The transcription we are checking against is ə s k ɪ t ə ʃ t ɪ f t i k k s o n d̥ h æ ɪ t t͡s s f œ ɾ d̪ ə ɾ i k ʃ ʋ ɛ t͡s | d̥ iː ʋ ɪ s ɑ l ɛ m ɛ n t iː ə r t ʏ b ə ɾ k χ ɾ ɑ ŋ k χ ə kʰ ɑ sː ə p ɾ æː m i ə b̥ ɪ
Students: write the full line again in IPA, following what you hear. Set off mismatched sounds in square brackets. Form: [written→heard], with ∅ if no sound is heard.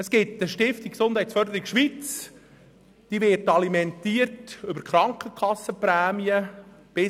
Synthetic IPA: ə s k ɪ t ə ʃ t ɪ f t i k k s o n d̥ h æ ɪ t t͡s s f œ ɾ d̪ ə ɾ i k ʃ ʋ [ɛ→i] t͡s | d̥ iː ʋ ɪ [s→t] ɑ l [ɛ→i] m ɛ n t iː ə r t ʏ b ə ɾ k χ ɾ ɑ ŋ k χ ə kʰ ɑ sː ə p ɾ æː m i ə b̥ ɪ